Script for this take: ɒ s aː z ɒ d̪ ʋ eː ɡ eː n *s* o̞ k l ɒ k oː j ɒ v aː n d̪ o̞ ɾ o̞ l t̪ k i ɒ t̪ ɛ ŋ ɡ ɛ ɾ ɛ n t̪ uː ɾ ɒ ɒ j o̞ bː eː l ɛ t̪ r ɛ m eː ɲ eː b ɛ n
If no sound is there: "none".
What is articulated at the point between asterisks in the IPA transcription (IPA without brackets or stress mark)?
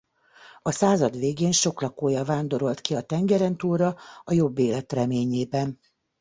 ʃ